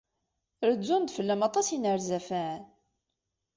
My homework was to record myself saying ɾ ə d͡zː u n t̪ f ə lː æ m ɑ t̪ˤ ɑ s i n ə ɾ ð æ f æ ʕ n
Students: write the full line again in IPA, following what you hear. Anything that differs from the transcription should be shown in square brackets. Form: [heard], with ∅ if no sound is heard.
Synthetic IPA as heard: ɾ ə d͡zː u n [d̪] f ə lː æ m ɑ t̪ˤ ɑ s i n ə ɾ [z] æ f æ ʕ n